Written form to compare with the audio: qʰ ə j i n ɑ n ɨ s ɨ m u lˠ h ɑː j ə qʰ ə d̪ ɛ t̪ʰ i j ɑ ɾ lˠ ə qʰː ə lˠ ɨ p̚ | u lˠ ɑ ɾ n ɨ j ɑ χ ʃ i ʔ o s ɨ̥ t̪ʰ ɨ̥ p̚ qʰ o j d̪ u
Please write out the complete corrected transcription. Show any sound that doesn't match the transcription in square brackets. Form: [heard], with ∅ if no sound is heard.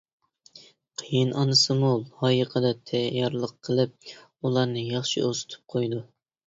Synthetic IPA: qʰ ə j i n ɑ n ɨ s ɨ m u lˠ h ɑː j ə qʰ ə d̪ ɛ t̪ʰ [ɛ] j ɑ ɾ lˠ ə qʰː ə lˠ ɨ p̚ | u lˠ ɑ ɾ n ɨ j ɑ χ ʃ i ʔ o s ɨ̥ t̪ʰ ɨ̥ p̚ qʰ o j d̪ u